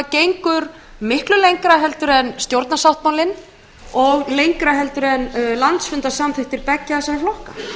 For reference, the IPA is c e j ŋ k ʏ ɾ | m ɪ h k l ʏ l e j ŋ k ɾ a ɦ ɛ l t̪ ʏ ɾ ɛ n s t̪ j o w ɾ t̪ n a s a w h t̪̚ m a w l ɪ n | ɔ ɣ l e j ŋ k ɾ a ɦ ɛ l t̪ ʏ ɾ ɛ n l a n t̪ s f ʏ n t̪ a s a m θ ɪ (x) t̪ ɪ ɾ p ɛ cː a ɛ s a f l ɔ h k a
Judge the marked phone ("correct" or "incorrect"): incorrect